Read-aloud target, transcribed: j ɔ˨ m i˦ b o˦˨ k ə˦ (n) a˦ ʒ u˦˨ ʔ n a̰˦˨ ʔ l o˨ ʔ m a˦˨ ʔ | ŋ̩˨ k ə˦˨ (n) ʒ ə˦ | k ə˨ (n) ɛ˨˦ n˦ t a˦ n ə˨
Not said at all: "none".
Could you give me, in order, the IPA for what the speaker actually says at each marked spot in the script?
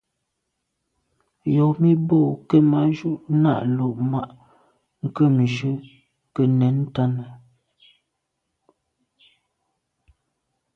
m, m, n

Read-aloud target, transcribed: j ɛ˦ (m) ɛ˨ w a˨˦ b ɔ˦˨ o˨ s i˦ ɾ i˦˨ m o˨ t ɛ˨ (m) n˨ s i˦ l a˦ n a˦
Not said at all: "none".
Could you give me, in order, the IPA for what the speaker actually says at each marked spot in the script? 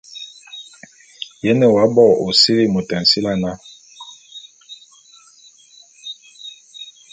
n, none

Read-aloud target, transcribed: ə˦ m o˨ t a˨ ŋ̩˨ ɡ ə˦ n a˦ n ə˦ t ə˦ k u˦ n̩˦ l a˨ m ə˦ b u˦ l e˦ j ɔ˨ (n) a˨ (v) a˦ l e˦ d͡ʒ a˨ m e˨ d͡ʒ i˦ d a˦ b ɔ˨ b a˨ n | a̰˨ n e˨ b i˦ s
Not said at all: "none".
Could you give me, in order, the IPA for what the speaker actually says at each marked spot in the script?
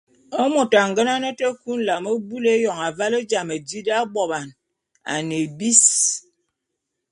ŋ, v

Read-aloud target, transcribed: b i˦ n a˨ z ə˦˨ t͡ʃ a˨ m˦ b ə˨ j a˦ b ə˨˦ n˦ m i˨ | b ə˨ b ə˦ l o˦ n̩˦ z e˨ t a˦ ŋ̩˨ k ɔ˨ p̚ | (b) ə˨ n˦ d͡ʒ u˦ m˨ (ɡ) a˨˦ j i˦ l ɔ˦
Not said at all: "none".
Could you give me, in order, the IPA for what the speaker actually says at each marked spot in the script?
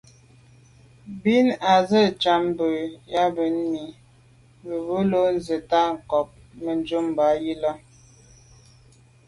m, b

